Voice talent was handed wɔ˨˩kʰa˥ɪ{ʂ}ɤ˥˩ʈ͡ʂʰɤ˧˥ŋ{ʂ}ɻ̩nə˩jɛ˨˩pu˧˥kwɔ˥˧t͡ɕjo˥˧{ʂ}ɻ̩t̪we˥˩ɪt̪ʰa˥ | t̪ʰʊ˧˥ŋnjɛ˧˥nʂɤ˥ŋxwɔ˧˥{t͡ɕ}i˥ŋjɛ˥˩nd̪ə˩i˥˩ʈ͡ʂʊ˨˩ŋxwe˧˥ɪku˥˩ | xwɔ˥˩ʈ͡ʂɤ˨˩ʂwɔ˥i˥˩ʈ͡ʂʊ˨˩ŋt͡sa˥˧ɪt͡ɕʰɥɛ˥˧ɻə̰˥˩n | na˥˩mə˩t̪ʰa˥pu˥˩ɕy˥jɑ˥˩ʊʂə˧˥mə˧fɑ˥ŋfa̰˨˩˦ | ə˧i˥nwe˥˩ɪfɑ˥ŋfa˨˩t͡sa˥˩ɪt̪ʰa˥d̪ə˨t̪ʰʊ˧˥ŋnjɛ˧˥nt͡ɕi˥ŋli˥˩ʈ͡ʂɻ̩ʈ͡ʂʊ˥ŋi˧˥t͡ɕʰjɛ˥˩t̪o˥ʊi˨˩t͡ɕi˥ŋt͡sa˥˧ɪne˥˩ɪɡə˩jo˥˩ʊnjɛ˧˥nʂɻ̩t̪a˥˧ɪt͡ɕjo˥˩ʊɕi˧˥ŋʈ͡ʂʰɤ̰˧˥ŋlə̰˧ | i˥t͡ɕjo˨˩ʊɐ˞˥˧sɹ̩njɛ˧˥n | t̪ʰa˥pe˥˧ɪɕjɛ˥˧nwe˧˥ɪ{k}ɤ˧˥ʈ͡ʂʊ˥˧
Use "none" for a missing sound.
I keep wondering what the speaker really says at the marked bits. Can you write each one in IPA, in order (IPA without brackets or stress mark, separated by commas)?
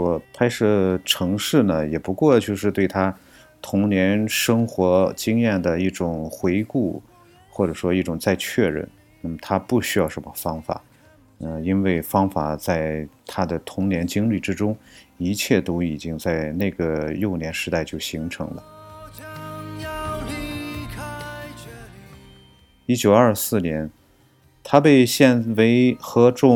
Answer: ʂ, ʂ, ʂ, t͡ɕ, x